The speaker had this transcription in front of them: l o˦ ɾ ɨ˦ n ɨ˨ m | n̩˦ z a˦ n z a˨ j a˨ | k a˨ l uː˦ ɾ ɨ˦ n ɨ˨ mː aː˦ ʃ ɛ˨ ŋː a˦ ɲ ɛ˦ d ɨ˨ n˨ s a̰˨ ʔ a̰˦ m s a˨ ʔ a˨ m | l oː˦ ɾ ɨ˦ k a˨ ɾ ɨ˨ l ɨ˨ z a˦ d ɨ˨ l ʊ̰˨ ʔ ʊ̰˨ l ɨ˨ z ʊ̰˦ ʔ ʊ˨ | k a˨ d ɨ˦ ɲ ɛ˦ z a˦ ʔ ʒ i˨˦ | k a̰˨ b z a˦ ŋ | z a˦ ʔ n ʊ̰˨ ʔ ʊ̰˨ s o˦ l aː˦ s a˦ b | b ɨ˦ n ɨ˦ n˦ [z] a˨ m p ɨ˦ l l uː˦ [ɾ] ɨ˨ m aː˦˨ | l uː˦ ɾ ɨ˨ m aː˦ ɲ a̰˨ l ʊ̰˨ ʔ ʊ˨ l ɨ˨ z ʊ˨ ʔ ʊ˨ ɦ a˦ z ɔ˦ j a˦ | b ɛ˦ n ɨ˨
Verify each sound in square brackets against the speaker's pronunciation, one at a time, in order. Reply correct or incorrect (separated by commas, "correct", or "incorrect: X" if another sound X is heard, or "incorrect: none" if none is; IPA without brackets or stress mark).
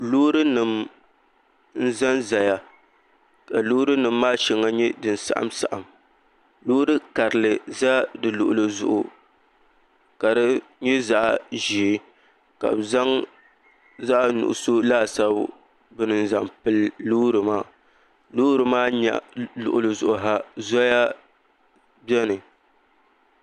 correct, correct